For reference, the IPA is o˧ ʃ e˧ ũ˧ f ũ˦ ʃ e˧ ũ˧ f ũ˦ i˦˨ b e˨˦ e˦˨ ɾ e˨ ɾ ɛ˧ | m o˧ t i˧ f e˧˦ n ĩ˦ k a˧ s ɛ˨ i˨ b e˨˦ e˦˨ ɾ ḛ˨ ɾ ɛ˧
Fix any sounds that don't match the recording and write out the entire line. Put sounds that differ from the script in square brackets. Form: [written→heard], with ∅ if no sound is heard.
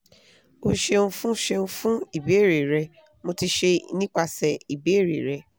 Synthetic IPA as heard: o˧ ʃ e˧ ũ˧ f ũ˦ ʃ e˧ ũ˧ f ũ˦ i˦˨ b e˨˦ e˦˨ ɾ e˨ ɾ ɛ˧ | m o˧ t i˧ [f→ʃ] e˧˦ n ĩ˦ [k→k͡p] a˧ s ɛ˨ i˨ b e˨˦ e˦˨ ɾ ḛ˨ ɾ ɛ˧